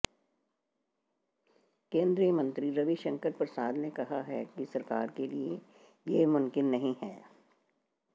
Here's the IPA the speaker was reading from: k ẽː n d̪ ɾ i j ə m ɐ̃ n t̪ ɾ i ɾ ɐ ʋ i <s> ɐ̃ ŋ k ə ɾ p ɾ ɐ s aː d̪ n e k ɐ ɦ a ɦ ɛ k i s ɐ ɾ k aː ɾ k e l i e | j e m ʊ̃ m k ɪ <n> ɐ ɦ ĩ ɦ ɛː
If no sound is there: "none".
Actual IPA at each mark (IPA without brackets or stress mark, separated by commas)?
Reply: ʃ, nː